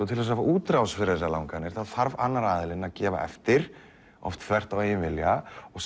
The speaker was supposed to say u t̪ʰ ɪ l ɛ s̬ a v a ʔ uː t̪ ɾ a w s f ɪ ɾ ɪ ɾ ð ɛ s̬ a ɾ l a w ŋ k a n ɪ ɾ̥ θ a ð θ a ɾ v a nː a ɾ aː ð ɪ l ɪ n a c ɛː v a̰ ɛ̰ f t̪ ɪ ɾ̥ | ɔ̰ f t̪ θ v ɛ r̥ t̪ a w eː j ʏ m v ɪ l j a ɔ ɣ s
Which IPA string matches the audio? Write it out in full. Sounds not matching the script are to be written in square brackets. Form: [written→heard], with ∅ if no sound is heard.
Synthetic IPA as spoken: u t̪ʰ ɪ l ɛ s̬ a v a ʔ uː t̪ ɾ a w s f ɪ ɾ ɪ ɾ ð ɛ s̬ a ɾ l a w ŋ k a n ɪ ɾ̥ θ a ð θ a ɾ v a nː a ɾ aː ð ɪ l ɪ n a c ɛː v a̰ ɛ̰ f t̪ ɪ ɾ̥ | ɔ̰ f t̪ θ v ɛ r̥ t̪ a w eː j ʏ [m→n] v ɪ l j a ɔ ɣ s